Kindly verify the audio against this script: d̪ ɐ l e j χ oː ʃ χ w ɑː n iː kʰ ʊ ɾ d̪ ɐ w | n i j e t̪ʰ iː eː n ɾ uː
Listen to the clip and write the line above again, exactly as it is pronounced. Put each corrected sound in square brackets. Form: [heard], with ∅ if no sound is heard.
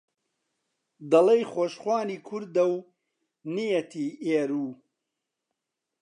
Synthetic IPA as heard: d̪ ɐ l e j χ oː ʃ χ w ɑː n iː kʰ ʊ ɾ d̪ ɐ w | n i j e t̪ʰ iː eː [∅] ɾ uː